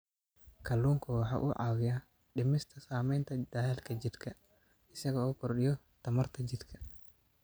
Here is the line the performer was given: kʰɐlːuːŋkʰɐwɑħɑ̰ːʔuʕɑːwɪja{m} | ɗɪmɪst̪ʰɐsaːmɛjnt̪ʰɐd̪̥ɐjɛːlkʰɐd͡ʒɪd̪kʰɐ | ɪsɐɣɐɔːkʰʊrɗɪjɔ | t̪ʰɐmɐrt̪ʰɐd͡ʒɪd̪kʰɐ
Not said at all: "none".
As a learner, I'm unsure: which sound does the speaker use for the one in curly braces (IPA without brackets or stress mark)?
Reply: none